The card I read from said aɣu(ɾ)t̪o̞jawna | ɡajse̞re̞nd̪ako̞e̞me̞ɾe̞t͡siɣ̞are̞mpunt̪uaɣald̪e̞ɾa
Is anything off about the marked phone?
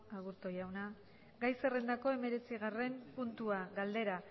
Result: no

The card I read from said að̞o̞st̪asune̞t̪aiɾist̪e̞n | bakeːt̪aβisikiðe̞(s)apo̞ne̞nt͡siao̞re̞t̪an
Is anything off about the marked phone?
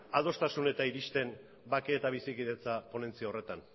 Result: yes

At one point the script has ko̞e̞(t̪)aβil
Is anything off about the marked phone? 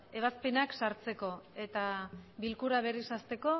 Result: no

